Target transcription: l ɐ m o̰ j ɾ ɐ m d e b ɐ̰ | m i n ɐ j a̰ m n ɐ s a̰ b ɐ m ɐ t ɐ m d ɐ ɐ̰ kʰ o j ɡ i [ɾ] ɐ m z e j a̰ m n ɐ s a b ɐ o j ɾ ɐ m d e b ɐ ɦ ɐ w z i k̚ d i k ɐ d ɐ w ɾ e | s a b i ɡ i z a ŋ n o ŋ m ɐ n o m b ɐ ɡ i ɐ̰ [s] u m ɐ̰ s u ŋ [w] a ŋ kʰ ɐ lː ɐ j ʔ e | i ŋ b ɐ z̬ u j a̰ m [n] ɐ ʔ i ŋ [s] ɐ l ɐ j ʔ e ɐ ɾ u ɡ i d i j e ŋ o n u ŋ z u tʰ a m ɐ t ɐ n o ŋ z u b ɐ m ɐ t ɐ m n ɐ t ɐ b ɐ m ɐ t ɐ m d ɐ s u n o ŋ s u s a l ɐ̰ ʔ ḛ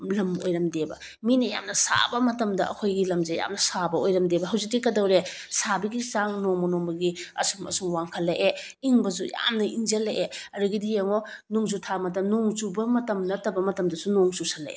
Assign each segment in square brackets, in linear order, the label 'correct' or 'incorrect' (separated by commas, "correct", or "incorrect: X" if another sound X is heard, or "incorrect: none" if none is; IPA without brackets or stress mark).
incorrect: l, correct, correct, correct, incorrect: z